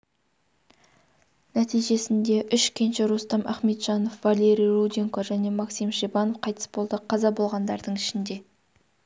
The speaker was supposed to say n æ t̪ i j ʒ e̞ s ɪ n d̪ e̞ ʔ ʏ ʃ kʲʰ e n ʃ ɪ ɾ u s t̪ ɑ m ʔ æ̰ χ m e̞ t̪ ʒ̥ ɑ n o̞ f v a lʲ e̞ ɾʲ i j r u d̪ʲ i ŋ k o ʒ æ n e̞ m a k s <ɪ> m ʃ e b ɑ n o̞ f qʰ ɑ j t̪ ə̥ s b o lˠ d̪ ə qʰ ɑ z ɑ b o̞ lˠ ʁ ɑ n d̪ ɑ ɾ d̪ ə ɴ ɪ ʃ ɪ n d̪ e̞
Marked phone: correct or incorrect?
incorrect